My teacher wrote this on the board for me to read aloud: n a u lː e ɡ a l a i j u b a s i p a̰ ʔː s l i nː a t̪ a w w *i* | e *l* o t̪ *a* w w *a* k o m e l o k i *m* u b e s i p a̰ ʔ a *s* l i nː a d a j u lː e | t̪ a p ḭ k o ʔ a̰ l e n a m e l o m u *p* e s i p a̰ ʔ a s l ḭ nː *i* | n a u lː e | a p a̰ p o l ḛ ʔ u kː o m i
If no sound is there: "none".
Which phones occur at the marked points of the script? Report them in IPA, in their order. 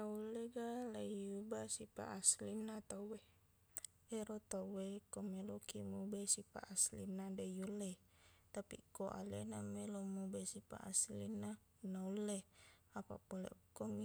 e, ɾ, a, e, m, s, b, a

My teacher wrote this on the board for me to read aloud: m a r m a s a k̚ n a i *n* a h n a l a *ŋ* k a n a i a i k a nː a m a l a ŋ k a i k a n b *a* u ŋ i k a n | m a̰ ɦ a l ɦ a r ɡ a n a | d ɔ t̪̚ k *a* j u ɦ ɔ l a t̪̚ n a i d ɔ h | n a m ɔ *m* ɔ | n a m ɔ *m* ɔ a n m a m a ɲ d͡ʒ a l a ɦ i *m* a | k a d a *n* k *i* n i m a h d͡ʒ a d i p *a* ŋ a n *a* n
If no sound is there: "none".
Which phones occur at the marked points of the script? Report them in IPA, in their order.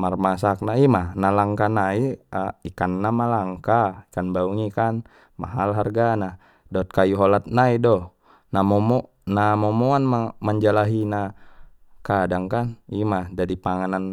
m, ŋ, a, a, m, m, n, ŋ, a, a, a

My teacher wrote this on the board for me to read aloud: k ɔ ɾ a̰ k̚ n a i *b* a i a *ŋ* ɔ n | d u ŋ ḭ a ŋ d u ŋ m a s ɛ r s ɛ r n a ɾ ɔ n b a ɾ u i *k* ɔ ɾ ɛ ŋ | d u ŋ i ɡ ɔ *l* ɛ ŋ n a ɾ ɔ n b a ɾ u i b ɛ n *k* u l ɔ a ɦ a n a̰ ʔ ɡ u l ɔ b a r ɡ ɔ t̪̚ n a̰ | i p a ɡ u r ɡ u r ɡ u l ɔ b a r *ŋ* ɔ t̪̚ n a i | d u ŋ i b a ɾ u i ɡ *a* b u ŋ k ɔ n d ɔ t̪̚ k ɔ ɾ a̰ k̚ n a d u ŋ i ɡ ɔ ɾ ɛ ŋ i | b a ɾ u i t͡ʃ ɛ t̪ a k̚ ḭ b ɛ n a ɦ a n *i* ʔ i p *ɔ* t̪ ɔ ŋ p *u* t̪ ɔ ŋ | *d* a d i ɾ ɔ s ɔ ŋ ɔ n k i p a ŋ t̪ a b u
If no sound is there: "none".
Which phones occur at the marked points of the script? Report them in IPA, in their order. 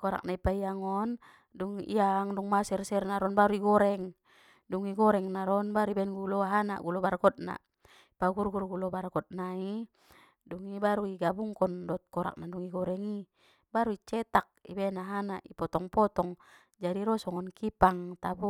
p, ŋ, ɡ, ɾ, ɡ, ɡ, a, a, ɔ, ɔ, d͡ʒ

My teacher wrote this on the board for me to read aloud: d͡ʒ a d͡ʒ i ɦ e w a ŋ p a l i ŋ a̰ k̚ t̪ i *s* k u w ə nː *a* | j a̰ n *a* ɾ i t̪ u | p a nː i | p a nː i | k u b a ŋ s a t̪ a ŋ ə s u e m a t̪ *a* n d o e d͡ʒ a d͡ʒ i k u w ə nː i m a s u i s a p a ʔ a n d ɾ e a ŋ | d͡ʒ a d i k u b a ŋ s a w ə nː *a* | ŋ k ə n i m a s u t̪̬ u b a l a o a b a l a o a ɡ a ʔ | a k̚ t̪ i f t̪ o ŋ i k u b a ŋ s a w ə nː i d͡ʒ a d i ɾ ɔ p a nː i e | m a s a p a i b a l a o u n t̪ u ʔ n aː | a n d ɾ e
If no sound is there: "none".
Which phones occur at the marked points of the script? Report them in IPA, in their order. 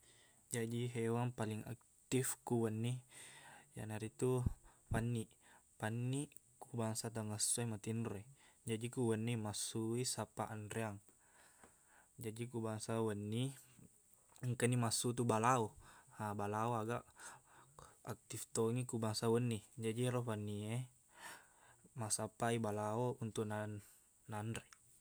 f, i, a, i, i

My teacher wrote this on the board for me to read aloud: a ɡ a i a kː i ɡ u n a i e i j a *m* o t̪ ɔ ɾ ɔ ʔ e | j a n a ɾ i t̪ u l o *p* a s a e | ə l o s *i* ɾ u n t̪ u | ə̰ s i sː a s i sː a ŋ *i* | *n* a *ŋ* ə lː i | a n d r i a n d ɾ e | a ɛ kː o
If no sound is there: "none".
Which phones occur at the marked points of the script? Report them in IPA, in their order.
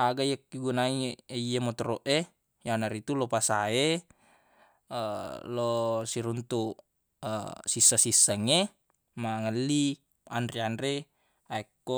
m, p, i, e, m, ŋ

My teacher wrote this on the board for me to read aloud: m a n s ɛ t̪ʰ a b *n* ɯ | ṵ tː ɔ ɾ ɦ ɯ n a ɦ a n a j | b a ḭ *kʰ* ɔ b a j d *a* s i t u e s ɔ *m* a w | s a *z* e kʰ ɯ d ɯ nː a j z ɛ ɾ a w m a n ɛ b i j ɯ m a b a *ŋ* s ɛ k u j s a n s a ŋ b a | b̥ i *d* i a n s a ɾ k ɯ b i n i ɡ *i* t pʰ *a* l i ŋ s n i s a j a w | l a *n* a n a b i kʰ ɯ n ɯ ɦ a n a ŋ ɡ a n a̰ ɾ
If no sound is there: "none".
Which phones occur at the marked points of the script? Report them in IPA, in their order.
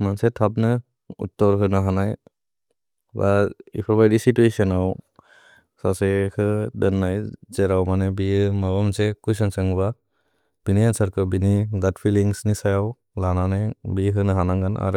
n, pʰ, i, n, s, m, n, a, i, n

